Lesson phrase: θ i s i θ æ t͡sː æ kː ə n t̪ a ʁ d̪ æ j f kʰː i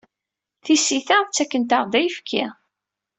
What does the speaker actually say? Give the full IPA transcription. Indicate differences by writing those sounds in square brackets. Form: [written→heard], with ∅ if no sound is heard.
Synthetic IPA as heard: θ i s i θ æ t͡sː æ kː ə n t̪ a ʁ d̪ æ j f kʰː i